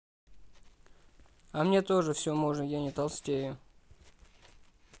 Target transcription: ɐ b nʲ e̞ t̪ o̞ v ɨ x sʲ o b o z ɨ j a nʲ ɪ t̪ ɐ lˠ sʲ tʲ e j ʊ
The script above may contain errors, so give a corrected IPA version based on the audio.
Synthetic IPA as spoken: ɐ m nʲ e̞ t̪ o̞ ʐ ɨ f sʲ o m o ʐ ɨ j a nʲ ɪ t̪ ɐ lˠ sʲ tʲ e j ʊ